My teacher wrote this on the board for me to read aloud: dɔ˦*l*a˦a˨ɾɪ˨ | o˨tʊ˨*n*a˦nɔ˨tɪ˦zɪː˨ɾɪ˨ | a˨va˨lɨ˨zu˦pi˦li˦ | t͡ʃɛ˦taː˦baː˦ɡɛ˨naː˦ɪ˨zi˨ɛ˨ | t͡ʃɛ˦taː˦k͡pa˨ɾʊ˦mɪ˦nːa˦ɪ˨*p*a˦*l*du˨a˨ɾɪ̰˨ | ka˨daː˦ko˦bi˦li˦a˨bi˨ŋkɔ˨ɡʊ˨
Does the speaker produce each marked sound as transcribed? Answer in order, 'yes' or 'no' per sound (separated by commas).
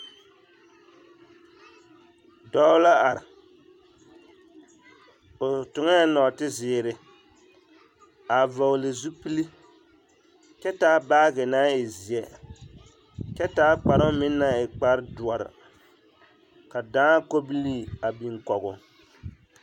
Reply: yes, no, no, no